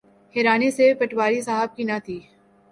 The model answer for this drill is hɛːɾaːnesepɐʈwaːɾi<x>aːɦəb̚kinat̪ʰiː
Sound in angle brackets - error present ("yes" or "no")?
yes